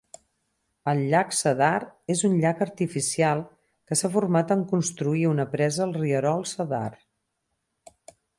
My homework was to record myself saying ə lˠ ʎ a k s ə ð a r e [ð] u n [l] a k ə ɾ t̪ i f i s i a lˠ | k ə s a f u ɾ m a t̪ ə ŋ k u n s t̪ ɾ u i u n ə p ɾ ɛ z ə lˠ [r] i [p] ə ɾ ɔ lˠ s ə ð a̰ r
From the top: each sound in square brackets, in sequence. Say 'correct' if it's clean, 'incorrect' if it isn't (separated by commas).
incorrect, incorrect, correct, incorrect